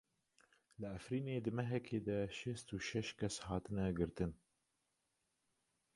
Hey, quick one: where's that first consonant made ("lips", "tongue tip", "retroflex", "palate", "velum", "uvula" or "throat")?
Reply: tongue tip